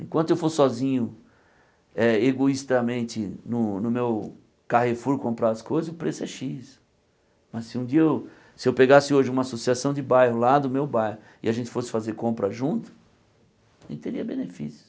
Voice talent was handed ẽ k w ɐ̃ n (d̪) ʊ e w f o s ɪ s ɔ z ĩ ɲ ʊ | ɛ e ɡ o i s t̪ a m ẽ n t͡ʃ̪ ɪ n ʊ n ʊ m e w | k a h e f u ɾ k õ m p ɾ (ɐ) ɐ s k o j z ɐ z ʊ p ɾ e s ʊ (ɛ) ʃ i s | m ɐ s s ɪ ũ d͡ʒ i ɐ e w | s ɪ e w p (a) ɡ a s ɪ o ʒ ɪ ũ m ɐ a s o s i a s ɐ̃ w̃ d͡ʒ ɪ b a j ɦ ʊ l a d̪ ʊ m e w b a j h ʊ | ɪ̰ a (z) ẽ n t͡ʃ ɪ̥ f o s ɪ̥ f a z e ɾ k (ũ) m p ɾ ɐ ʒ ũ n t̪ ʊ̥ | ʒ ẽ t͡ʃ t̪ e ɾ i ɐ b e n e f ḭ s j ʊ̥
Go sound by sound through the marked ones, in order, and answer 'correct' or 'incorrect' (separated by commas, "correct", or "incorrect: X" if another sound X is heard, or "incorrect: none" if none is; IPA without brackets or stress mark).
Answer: incorrect: t̪, incorrect: a, correct, incorrect: e, incorrect: ʒ, incorrect: õ